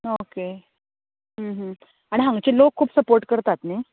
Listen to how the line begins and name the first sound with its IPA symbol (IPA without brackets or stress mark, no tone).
o